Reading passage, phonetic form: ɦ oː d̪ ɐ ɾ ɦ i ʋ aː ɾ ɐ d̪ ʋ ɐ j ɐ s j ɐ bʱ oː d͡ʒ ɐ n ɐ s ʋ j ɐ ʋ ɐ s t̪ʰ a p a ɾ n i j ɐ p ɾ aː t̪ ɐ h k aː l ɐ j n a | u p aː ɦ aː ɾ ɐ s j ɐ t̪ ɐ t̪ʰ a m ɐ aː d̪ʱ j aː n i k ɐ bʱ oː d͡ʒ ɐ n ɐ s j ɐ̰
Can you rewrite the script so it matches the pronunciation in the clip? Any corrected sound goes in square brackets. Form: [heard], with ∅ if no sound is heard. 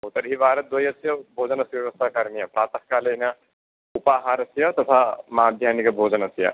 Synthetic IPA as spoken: ɦ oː [t̪] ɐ ɾ ɦ i ʋ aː ɾ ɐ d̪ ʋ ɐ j ɐ s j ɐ bʱ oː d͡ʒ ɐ n ɐ s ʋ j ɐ ʋ ɐ s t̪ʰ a [k] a ɾ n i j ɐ p ɾ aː t̪ ɐ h k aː l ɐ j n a | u p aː ɦ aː ɾ ɐ s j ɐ t̪ ɐ t̪ʰ a m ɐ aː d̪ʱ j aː n i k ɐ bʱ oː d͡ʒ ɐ n ɐ s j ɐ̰

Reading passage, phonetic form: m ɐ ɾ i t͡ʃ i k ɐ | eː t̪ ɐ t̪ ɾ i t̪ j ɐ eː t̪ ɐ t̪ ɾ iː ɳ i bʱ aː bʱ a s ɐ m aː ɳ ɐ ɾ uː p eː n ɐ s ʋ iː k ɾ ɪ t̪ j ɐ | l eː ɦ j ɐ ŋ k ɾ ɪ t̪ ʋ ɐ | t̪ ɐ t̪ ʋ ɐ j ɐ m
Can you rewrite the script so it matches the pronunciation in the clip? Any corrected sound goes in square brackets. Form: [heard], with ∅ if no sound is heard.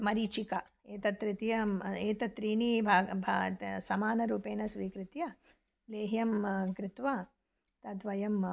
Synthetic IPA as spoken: m ɐ ɾ i t͡ʃ i k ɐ | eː t̪ ɐ t̪ ɾ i t̪ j ɐ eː t̪ ɐ t̪ ɾ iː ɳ i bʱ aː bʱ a s ɐ m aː [n] ɐ ɾ uː p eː n ɐ s ʋ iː k ɾ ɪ t̪ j ɐ | l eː ɦ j ɐ [m] k ɾ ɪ t̪ ʋ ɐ | t̪ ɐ t̪ ʋ ɐ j ɐ m

